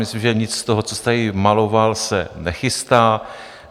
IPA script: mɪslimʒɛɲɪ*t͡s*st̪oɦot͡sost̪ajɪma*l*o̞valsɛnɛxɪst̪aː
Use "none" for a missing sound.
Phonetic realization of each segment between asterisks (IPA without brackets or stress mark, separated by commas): t͡s, l